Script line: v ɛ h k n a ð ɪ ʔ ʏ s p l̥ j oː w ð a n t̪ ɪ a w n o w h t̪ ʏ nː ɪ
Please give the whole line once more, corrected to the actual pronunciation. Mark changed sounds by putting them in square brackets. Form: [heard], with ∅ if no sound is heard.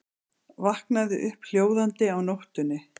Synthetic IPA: v [a] h k n a ð ɪ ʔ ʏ [h] p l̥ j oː w ð a n t̪ ɪ a w n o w h t̪ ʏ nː ɪ